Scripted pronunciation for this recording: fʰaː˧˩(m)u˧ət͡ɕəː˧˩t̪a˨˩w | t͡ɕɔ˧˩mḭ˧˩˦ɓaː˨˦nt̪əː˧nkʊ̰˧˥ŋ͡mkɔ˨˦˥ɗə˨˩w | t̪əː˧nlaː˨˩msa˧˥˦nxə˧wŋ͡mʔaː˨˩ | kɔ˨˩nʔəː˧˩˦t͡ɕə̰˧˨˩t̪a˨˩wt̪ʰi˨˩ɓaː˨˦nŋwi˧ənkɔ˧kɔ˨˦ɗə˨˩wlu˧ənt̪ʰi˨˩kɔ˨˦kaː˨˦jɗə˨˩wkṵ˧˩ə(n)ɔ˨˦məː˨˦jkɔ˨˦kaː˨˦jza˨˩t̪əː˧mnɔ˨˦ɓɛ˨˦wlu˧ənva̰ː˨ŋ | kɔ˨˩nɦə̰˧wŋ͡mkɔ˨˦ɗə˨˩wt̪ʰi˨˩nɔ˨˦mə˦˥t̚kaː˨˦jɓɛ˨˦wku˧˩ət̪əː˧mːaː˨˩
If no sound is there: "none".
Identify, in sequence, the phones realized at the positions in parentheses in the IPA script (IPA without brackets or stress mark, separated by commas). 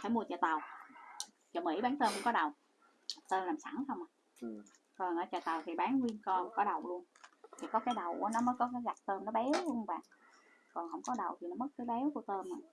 m, n